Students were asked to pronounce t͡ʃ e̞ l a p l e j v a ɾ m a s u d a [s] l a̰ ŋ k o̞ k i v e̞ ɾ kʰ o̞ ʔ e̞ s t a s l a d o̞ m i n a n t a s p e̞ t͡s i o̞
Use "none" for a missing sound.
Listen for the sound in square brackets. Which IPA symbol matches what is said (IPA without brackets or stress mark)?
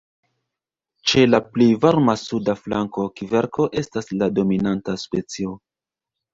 f